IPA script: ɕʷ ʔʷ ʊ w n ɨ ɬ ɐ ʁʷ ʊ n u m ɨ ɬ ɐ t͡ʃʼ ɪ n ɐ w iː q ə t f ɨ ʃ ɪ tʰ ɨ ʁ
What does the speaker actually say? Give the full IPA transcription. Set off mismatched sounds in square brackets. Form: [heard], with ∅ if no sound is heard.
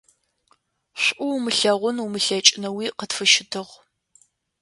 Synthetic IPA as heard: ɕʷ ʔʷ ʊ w [m] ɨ ɬ ɐ ʁʷ ʊ n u m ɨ ɬ ɐ t͡ʃʼ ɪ n ɐ w iː q ə t f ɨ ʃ ɪ tʰ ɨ ʁ

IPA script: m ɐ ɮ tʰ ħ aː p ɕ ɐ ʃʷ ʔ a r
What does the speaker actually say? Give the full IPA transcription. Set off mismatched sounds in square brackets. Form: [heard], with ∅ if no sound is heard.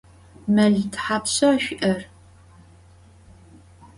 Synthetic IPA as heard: m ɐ ɮ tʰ ħ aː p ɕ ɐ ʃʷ ʔ [ɐ] r

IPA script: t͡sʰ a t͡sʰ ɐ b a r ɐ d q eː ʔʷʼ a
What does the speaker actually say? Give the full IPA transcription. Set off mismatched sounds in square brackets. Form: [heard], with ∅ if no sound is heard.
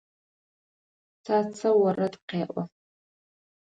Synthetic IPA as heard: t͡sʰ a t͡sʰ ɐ [w] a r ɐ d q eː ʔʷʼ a

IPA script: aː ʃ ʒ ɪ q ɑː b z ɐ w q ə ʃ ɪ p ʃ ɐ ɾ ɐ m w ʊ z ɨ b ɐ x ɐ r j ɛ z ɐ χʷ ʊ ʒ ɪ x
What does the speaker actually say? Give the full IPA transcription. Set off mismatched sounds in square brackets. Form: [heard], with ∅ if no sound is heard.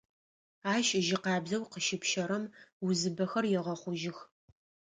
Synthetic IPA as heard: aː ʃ ʒ ɪ q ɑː b z ɐ w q ə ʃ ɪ p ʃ ɐ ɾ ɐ m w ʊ z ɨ b ɐ x ɐ r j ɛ [ʁ] ɐ χʷ ʊ ʒ ɪ x

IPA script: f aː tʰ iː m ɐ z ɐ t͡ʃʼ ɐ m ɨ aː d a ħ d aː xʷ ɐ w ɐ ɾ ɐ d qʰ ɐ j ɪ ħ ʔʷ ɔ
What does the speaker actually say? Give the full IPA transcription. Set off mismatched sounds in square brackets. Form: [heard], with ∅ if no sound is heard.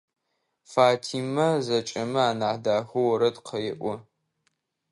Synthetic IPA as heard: f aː tʰ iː m ɐ z ɐ t͡ʃʼ ɐ m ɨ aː [n] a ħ d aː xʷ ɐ w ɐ ɾ ɐ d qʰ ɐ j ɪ [∅] ʔʷ ɔ

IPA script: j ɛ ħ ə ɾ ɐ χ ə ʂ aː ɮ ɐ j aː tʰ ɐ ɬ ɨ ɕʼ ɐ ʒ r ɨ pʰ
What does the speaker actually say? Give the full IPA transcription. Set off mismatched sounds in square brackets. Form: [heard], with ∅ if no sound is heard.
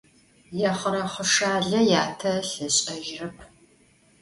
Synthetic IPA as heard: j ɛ [χ] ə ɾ ɐ χ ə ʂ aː ɮ ɐ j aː tʰ ɐ ɬ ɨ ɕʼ ɐ ʒ r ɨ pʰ

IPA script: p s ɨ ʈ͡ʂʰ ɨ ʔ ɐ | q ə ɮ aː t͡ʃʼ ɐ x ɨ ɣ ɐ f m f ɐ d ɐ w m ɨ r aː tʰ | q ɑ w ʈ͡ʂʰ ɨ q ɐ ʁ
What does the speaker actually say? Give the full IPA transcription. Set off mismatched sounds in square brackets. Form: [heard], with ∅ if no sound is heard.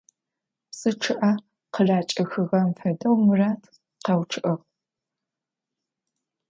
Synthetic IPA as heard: p s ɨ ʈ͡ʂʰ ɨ ʔ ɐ | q ə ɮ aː t͡ʃʼ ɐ x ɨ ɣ ɐ [∅] m f ɐ d ɐ w m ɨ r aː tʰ | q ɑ w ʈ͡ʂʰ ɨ [ʔ] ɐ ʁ

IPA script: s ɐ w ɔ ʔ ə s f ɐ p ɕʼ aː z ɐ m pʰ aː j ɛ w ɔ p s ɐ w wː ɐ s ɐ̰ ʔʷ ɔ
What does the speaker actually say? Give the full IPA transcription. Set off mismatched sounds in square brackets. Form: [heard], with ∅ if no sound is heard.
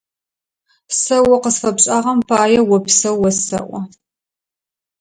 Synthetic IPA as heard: s ɐ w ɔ [q] ə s f ɐ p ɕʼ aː [ʁ] ɐ m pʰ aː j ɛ w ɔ p s ɐ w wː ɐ s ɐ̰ ʔʷ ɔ

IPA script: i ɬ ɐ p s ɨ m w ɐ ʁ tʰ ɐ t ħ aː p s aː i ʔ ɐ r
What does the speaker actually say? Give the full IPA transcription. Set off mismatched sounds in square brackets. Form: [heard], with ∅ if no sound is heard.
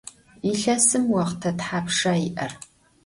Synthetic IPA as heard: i ɬ ɐ [∅] s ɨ m w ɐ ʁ tʰ ɐ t ħ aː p [ʂ] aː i ʔ ɐ r

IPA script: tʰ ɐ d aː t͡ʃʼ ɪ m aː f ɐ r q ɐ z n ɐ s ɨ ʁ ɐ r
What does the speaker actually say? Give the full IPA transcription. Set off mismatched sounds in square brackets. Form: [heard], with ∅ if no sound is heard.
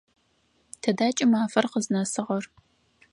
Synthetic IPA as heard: tʰ ɐ d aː t͡ʃʼ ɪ m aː f ɐ r q [ə] z n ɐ s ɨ ʁ ɐ r

